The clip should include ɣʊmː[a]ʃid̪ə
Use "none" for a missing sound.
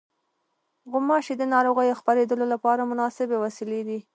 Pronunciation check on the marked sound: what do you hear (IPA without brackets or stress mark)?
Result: ɑ